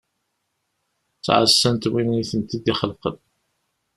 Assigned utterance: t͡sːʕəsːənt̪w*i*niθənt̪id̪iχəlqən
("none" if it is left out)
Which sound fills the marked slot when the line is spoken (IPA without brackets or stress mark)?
i